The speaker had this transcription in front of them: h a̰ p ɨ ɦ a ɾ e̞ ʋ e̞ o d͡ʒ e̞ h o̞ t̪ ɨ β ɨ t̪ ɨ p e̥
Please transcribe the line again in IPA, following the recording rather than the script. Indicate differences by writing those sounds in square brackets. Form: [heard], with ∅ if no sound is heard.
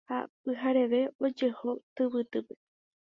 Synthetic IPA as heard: h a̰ p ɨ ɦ a ɾ e̞ ʋ e̞ o d͡ʒ e̞ h o̞ t̪ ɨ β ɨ t̪ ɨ p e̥